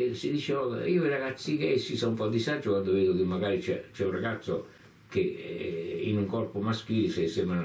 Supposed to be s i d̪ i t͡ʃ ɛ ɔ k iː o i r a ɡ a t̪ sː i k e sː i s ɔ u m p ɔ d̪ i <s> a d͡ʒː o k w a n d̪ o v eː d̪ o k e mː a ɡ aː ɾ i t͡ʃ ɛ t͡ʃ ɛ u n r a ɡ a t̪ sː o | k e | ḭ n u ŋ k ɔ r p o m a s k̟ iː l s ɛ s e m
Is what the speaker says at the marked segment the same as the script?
yes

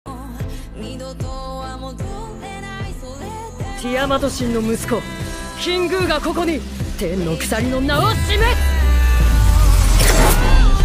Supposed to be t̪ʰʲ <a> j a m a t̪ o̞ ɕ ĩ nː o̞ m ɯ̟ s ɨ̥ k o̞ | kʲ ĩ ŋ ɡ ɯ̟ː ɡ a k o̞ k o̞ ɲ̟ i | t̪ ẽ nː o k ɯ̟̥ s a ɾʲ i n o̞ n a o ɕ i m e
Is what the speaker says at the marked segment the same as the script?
no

